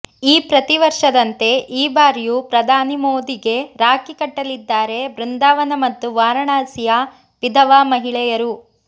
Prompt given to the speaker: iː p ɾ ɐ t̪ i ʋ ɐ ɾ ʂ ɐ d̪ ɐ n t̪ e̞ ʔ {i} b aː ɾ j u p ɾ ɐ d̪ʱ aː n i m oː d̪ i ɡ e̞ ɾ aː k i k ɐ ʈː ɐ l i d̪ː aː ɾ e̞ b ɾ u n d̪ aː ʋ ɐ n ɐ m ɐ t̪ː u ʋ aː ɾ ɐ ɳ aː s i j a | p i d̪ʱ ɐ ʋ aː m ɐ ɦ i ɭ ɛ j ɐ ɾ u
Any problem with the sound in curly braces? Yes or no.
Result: yes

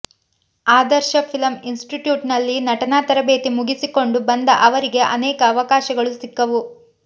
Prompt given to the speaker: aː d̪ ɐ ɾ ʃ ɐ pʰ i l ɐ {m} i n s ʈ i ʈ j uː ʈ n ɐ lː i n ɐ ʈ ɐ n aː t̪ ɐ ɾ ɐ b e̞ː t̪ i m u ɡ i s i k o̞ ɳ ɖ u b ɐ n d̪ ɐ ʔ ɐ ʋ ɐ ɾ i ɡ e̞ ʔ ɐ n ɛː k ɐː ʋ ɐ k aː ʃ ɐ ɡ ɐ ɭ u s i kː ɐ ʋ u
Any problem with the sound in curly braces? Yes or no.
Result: no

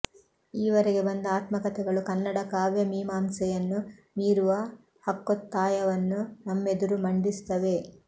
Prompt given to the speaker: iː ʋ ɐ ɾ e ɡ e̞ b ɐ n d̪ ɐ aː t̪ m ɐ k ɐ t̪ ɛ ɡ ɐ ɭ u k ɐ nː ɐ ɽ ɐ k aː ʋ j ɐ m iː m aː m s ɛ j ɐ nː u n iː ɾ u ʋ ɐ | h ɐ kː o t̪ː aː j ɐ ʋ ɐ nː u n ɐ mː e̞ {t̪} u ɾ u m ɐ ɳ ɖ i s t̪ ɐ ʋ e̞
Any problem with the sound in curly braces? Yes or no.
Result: yes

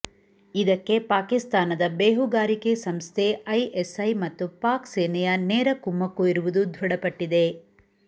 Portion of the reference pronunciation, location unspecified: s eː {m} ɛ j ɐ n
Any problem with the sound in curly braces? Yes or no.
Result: yes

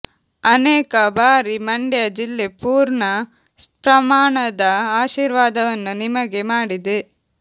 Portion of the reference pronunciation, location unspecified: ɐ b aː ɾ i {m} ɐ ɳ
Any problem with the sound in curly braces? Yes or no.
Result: no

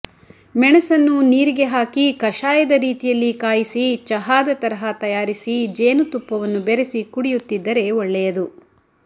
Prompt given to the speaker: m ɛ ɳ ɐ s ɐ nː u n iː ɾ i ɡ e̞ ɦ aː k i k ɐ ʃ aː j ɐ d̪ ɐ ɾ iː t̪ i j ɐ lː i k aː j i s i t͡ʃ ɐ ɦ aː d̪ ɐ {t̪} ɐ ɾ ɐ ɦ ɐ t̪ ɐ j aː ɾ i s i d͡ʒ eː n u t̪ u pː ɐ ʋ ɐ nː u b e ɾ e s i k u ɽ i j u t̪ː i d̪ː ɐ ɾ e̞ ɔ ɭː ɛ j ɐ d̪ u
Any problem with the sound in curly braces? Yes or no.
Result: no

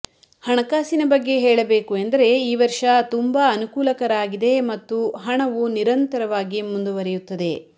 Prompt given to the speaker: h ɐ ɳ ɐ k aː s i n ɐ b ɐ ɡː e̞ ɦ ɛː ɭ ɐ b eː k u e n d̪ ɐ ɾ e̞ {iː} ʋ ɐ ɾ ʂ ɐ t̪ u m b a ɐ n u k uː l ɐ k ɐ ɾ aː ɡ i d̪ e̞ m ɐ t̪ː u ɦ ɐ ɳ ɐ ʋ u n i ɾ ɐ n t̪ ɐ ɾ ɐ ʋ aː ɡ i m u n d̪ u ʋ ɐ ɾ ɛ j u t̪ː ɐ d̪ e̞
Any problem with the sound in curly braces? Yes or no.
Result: no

